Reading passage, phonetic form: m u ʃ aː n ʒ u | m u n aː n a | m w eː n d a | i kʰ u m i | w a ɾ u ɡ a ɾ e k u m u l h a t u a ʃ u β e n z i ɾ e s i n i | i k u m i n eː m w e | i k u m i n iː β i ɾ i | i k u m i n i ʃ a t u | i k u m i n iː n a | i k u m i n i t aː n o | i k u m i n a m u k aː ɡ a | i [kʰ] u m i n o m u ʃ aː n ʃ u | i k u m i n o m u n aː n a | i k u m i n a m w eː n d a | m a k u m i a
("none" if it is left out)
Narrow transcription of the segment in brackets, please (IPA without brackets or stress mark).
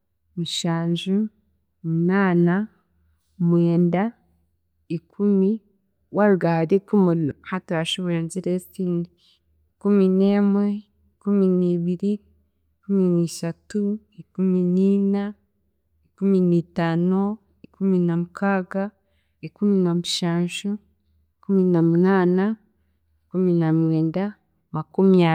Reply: k